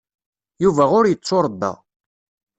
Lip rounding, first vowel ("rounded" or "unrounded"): rounded